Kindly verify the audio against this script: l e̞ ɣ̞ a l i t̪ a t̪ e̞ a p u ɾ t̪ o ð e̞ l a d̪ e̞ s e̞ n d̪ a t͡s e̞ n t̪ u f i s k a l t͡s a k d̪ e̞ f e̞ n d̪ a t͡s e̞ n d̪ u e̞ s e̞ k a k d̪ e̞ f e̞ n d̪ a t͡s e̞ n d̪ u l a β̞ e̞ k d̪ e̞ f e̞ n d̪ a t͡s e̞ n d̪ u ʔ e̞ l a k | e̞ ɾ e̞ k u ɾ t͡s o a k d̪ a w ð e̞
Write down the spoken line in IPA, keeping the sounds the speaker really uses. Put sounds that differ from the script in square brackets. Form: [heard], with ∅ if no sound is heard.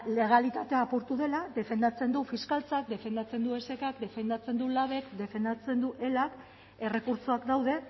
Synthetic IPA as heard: l e̞ ɣ̞ a l i t̪ a t̪ e̞ a p u ɾ t̪ [u] ð e̞ l a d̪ e̞ [f] e̞ n d̪ a t͡s e̞ n [d̪] u f i s k a l t͡s a k d̪ e̞ f e̞ n d̪ a t͡s e̞ n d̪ u e̞ s e̞ k a k d̪ e̞ f e̞ n d̪ a t͡s e̞ n d̪ u l a β̞ e̞ k d̪ e̞ f e̞ n d̪ a t͡s e̞ n d̪ u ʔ e̞ l a k | e̞ [r] e̞ k u ɾ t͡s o a k d̪ a w ð e̞